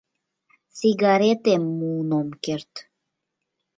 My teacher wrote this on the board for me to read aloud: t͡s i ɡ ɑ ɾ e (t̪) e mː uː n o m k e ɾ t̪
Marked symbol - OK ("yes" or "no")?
yes